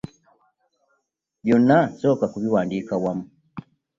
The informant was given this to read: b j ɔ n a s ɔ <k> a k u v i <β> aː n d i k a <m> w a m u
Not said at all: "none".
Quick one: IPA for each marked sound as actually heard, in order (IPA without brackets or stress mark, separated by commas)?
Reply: k, w, none